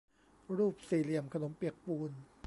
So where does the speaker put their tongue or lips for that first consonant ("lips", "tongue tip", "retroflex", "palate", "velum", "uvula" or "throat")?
tongue tip